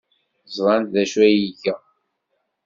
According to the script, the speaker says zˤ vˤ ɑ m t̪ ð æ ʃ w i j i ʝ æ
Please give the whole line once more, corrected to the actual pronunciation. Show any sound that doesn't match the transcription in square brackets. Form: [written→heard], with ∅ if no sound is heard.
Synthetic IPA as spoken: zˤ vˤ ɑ [m→n] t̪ ð æ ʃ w [i→æ] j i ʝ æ